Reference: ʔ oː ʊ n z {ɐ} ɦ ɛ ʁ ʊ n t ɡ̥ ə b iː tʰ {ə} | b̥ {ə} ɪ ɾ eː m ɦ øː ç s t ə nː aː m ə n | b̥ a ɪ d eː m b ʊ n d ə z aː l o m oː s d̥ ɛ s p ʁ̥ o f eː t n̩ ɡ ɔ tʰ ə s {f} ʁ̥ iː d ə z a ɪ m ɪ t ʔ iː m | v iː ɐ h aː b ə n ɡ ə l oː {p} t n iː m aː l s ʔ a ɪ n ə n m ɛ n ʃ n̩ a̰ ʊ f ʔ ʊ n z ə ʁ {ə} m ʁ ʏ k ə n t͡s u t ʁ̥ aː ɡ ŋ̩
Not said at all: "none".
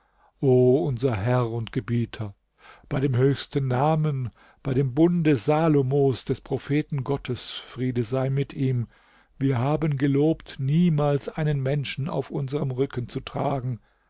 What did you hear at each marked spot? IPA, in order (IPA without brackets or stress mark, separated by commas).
ɐ, ɐ, a, f, p, ə